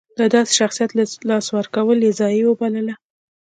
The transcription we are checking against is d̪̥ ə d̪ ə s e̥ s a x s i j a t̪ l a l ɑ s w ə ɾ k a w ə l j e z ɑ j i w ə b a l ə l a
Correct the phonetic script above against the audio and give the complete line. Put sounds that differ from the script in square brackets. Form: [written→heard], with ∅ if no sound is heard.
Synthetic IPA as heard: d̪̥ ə d̪ [ə→ɑ] s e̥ [s→ʃ] a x s i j a t̪ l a l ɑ s w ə ɾ k a w ə l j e z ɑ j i w ə b a l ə l a